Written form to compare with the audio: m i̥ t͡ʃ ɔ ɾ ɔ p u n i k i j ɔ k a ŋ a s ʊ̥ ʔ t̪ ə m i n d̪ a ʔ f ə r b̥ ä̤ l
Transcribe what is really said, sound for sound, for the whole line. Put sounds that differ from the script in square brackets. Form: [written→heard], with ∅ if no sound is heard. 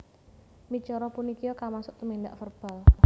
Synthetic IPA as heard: m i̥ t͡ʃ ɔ ɾ ɔ p u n i k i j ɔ k a [ŋ→m] a s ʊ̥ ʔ t̪ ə m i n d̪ a ʔ f ə r b̥ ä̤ l